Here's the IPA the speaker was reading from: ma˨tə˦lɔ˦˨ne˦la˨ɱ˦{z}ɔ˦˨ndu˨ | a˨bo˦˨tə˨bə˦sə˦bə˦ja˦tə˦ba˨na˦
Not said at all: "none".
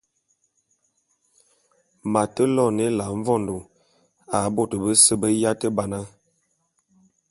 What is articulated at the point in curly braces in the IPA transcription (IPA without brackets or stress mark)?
v